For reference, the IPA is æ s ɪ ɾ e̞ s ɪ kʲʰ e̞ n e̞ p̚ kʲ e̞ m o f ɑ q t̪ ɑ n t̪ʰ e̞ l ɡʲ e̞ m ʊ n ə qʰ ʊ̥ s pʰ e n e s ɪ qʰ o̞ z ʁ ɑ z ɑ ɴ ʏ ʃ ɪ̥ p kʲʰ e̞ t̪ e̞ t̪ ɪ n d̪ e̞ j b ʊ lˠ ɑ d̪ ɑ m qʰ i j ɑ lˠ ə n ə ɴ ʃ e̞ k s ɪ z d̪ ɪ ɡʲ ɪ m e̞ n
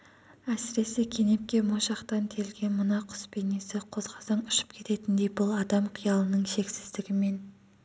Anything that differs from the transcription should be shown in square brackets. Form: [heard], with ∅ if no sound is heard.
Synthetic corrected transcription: æ s ɪ ɾ e̞ s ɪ kʲʰ e̞ n e̞ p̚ kʲ e̞ m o [ʃ] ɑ q t̪ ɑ n t̪ʰ e̞ l ɡʲ e̞ m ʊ n [ɑ] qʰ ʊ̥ s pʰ e n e s ɪ qʰ o̞ z ʁ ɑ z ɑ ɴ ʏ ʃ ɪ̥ p kʲʰ e̞ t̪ e̞ t̪ ɪ n d̪ e̞ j b ʊ lˠ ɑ d̪ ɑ m qʰ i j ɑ lˠ ə n ə ɴ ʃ e̞ k s ɪ z d̪ ɪ ɡʲ ɪ m e̞ n